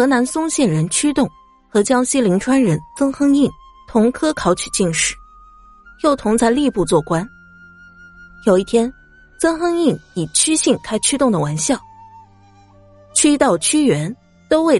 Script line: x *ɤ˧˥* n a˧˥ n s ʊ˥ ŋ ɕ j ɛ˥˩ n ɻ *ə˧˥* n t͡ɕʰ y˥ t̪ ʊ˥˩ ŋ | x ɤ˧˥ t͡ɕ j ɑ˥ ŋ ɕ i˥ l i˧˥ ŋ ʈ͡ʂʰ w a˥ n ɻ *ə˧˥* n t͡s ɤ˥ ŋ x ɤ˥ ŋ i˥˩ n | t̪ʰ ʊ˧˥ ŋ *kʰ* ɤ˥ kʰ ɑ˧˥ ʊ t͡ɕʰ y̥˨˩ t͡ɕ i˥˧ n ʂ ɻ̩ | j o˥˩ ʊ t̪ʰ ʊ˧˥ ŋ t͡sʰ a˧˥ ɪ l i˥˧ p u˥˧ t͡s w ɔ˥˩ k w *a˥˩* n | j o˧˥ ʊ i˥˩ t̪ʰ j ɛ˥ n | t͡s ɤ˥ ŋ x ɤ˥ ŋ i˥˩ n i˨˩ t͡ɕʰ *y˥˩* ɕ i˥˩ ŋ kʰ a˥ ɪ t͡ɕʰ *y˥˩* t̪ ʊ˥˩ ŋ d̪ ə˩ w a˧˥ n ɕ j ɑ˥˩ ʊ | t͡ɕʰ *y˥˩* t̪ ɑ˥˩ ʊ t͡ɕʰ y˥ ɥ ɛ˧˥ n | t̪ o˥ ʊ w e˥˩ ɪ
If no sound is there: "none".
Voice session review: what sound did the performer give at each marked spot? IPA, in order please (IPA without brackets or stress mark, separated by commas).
ɤ˧˥, ə˧˥, ə˧˥, kʰ, a˥, y˥, y˥, y˥